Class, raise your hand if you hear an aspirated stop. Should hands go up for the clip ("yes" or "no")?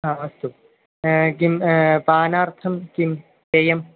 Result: yes